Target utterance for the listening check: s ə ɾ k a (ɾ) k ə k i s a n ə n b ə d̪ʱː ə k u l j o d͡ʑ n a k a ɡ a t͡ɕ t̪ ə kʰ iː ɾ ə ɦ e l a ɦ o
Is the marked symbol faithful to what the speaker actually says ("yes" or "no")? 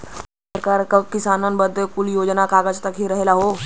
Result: yes